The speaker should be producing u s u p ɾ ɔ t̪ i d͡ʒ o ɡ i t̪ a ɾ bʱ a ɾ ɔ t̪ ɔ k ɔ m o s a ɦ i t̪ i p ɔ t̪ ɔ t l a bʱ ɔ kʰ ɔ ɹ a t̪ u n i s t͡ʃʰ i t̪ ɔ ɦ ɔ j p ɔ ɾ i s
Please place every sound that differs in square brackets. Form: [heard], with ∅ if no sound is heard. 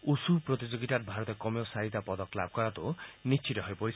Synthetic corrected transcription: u s u p ɾ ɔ t̪ i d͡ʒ o ɡ i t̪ a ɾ bʱ a ɾ ɔ t̪ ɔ k ɔ m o s a ɦ i t̪ [a] p ɔ [d̪] ɔ [k] l a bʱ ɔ [k] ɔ [ɾ] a t̪ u n i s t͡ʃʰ i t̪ ɔ ɦ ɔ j p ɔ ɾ i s